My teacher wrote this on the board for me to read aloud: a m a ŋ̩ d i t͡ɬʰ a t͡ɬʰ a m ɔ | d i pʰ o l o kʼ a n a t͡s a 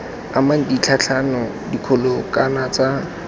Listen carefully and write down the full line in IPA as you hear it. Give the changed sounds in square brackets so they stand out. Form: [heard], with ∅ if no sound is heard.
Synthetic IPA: a m a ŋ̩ d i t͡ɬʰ a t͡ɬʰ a [n] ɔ | d i [kʰ] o l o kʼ a n a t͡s a